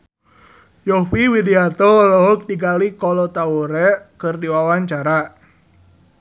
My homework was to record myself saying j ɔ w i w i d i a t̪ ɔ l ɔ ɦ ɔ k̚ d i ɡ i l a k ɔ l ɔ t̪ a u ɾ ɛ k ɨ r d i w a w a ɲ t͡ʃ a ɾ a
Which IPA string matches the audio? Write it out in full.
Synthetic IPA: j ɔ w i w i d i a t̪ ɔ l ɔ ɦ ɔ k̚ d i ɡ a l i k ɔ l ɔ t̪ a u ɾ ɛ k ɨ r d i w a w a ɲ t͡ʃ a ɾ a